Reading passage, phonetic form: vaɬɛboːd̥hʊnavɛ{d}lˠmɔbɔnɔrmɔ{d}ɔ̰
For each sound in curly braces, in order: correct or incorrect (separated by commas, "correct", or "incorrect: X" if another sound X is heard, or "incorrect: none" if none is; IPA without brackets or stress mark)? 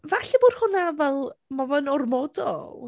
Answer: incorrect: none, correct